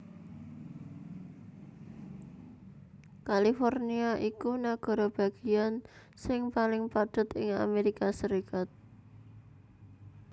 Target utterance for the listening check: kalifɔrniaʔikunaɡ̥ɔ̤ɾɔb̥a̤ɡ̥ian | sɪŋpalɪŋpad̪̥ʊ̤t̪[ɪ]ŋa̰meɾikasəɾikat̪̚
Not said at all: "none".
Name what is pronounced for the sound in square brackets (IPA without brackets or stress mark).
ɪ